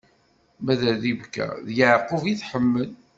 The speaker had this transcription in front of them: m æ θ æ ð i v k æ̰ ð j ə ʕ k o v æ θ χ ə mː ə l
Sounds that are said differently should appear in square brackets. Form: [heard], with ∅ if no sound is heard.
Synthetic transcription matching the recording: m æ [ð] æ ð i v k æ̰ ð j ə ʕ [q] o v [i] θ [ħ] ə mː ə l